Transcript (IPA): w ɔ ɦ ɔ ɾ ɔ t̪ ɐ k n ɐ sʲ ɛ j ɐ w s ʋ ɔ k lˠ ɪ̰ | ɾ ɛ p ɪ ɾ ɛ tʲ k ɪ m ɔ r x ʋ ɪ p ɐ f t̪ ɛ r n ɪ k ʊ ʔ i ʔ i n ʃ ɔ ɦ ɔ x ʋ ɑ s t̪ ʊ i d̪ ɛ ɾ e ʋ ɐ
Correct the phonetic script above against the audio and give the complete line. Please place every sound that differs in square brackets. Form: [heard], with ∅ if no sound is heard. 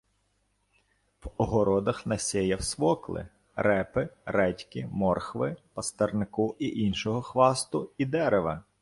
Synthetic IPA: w ɔ ɦ ɔ ɾ ɔ [d̪] ɐ [x] n ɐ sʲ ɛ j ɐ w s ʋ ɔ k lˠ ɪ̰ | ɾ ɛ p ɪ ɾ ɛ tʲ k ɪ m ɔ r x ʋ ɪ p ɐ [s] t̪ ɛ r n ɪ k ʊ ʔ i ʔ i n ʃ ɔ ɦ ɔ x ʋ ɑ s t̪ ʊ i d̪ ɛ ɾ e ʋ ɐ